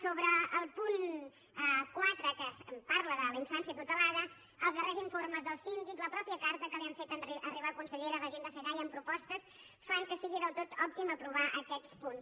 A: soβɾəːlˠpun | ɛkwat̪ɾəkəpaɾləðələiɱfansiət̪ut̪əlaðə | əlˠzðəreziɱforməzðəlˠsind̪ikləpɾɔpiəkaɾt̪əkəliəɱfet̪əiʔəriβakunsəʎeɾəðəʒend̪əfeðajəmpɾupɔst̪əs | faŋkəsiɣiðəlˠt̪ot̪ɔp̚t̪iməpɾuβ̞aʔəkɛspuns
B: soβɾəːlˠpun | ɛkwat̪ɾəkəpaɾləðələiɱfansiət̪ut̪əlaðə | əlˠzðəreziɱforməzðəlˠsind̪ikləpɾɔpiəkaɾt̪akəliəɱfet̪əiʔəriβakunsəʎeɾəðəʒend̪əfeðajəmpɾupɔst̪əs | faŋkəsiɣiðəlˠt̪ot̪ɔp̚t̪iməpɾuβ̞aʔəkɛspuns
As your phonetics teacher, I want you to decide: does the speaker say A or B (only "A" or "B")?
A